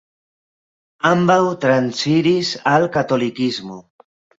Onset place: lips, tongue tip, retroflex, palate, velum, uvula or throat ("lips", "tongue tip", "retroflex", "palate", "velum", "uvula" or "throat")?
lips